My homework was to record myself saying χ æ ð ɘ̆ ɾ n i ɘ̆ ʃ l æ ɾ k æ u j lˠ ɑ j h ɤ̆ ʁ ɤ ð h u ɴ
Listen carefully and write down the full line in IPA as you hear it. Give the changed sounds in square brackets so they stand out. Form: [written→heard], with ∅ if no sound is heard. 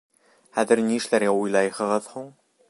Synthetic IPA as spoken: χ æ ð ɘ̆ ɾ n i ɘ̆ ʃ l æ ɾ [k→ɡ] æ u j lˠ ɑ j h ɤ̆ ʁ ɤ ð h u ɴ